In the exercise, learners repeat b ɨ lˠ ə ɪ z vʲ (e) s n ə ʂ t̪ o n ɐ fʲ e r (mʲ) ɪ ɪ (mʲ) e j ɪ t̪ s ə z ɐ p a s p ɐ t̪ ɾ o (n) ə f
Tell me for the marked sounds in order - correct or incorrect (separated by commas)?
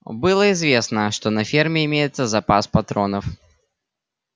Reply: correct, correct, correct, correct